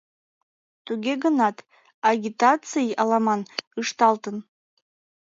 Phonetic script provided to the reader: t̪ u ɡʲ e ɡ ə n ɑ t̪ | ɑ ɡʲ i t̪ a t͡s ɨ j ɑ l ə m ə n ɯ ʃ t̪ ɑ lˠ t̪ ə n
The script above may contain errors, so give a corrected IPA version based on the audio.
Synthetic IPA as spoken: t̪ u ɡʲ e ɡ ə n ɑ t̪ | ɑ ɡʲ i t̪ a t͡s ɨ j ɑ l ɑ m ɑ n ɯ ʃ t̪ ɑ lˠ t̪ ə n